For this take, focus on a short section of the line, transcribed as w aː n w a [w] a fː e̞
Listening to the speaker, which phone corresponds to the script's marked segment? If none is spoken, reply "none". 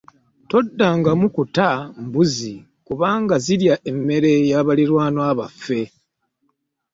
β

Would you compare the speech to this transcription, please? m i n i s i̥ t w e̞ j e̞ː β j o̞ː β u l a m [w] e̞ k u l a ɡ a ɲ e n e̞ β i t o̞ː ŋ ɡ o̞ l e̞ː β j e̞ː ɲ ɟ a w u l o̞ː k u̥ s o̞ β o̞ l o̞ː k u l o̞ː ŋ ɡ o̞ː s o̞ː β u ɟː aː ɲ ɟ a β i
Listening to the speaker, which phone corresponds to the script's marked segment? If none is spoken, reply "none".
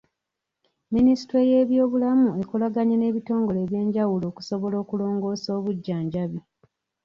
u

